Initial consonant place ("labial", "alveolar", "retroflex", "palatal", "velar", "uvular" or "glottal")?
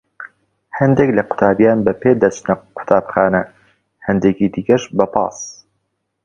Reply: glottal